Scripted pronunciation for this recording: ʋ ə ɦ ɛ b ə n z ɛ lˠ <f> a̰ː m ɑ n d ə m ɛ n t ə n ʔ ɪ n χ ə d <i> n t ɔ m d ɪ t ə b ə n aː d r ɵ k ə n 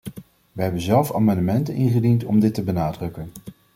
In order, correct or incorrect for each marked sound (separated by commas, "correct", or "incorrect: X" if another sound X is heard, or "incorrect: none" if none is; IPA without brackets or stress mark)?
correct, correct